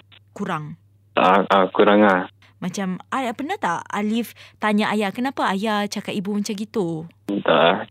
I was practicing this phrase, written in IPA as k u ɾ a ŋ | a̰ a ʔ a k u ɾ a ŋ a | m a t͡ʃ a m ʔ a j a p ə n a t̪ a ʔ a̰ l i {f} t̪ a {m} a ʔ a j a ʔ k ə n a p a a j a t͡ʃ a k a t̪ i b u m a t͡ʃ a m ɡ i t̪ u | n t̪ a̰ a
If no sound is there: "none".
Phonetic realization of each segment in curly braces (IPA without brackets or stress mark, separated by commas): f, ɲ